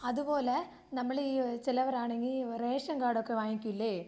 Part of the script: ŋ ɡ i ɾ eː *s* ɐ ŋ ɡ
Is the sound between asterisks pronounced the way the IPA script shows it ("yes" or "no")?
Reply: no